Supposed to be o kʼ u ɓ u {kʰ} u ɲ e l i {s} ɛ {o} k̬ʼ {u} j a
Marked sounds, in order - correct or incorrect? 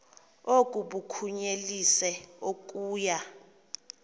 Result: correct, correct, correct, incorrect

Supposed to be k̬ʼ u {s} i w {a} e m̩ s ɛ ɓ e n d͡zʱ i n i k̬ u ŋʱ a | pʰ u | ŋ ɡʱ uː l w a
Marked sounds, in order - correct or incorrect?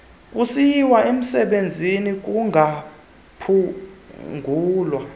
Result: correct, correct

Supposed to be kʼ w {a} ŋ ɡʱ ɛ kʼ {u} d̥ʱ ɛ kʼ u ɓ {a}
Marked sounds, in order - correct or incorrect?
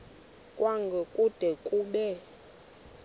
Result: correct, correct, incorrect

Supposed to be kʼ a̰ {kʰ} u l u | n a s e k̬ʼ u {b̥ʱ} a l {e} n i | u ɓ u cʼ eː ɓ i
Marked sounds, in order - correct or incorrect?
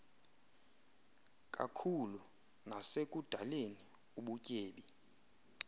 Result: correct, incorrect, correct

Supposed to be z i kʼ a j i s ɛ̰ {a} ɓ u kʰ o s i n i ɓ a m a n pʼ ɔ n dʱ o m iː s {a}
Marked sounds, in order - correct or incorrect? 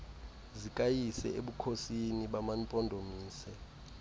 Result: incorrect, incorrect

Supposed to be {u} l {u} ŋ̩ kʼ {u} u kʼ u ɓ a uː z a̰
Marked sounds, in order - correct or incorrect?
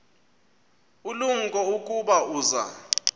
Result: correct, correct, incorrect

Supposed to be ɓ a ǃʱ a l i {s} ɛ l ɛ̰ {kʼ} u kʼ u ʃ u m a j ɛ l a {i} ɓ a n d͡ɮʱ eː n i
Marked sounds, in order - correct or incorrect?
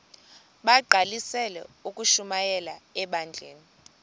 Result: correct, incorrect, incorrect

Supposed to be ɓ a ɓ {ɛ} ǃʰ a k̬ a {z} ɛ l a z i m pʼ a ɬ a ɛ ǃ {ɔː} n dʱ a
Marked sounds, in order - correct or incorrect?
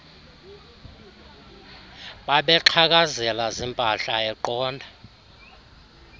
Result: correct, correct, correct

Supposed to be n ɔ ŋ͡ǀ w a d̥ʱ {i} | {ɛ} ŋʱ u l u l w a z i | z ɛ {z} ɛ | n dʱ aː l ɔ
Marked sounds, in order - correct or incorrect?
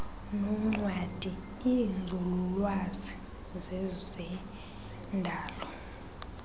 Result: correct, incorrect, correct

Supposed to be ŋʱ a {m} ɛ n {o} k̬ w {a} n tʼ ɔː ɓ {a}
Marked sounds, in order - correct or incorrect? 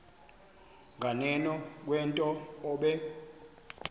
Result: incorrect, incorrect, incorrect, incorrect

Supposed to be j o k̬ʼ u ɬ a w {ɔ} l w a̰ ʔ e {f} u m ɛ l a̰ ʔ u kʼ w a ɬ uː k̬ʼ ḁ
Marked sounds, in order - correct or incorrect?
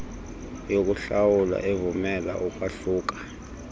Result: incorrect, incorrect

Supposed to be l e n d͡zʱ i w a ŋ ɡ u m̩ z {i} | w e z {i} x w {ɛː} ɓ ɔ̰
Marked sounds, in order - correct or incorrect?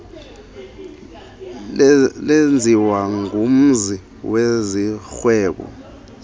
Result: correct, correct, correct

